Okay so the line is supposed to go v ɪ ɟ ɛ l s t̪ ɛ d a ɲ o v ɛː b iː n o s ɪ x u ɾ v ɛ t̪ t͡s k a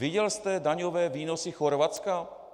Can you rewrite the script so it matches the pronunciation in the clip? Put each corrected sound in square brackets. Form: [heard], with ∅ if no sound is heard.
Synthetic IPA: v ɪ ɟ ɛ l s t̪ ɛ d a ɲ o v ɛː [v] iː n o s ɪ x [o] ɾ v [a] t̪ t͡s k a

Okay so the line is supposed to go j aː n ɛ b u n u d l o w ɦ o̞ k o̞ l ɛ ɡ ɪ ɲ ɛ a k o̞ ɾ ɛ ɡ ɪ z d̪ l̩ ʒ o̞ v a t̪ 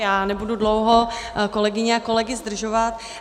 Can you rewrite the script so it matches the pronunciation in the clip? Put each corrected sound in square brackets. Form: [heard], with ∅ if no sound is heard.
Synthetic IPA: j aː n ɛ b u [d] u d l o w ɦ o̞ k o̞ l ɛ ɡ ɪ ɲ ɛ a k o̞ [l] ɛ ɡ ɪ z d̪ [r̩] ʒ o̞ v a t̪

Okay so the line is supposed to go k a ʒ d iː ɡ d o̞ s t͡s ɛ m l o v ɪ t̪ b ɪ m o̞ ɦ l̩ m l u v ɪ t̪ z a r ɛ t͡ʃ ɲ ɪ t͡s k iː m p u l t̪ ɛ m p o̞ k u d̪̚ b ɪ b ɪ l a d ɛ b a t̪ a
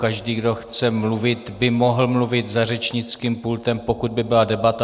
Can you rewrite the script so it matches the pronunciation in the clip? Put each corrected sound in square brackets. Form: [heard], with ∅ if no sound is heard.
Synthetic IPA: k a ʒ d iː ɡ d o̞ [x] t͡s ɛ m l [u] v ɪ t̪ b ɪ m o̞ ɦ l̩ m l u v ɪ t̪ z a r ɛ t͡ʃ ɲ ɪ t͡s k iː m p u l t̪ ɛ m p o̞ k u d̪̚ b ɪ b ɪ l a d ɛ b a t̪ a

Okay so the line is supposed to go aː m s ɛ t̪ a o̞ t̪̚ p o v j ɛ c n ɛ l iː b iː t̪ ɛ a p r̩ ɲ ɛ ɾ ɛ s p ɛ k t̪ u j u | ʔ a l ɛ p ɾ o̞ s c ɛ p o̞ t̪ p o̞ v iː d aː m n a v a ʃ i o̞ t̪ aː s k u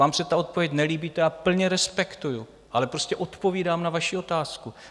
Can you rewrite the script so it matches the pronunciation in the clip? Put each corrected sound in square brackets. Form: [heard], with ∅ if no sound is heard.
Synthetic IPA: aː m s ɛ t̪ a o̞ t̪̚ p o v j ɛ c n ɛ l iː b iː t̪ ɛ a p [l̩] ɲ ɛ ɾ ɛ s p ɛ k t̪ u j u | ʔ a l ɛ p ɾ o̞ s c ɛ [ʔ] o̞ t̪ p o̞ v iː d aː m n a v a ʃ i o̞ t̪ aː s k u

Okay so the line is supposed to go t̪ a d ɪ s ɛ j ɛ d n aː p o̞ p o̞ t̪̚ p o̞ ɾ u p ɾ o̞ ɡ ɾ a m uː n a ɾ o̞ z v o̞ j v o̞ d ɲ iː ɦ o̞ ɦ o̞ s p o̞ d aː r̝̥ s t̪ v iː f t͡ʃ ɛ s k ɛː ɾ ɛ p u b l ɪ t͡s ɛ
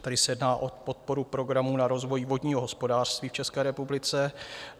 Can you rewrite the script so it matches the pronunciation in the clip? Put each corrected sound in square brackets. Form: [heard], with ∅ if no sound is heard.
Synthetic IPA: t̪ a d ɪ s ɛ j ɛ d n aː [ʔ] o̞ p o̞ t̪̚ p o̞ ɾ u p ɾ o̞ ɡ ɾ a m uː n a ɾ o̞ z v o̞ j v o̞ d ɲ iː ɦ o̞ ɦ o̞ s p o̞ d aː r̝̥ s t̪ v iː f t͡ʃ ɛ s k ɛː ɾ ɛ p u b l ɪ t͡s ɛ

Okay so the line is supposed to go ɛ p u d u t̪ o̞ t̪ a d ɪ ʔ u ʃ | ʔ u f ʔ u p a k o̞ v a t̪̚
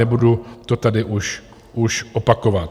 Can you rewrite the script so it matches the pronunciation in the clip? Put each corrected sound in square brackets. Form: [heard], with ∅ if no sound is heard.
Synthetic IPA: ɛ [b] u d u t̪ o̞ t̪ a d ɪ ʔ u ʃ | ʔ u [ʃ] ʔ [o] p a k o̞ v a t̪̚

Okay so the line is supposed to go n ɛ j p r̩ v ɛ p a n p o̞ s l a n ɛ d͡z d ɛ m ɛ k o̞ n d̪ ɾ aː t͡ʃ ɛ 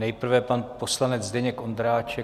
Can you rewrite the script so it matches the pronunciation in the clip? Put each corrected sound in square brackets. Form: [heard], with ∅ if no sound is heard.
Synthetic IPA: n ɛ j p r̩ v ɛ p a n p o̞ s l a n ɛ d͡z d ɛ [ɲ] ɛ k o̞ n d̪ ɾ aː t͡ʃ ɛ

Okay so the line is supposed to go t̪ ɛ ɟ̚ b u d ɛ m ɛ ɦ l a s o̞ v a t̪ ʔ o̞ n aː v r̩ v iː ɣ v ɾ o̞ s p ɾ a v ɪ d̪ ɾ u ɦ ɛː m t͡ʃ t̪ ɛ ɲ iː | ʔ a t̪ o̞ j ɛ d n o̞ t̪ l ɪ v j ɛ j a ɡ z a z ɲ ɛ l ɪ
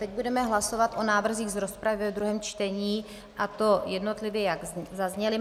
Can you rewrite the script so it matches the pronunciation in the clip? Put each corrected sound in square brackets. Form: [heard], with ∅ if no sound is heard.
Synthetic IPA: t̪ ɛ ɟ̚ b u d ɛ m ɛ ɦ l a s o̞ v a t̪ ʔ o̞ n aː v r̩ [z] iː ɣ [z] ɾ o̞ s p ɾ a v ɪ d̪ ɾ u ɦ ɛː m t͡ʃ t̪ ɛ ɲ iː | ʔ a t̪ o̞ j ɛ d n o̞ t̪ l ɪ v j ɛ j a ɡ z a z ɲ ɛ l ɪ

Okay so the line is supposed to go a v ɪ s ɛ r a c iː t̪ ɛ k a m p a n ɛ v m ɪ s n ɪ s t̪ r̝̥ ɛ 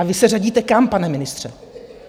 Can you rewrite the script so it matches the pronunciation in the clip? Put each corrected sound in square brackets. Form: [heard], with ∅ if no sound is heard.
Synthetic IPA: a v ɪ s ɛ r a [ɟ] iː t̪ ɛ k a m p a n ɛ [∅] m ɪ [∅] n ɪ s t̪ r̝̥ ɛ

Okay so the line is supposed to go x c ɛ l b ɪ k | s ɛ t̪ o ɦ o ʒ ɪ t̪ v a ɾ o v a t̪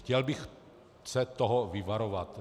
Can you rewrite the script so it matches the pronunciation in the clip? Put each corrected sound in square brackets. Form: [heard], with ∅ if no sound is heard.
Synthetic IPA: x c ɛ l b ɪ [x] | s ɛ t̪ o ɦ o [v] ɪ [∅] v a ɾ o v a t̪

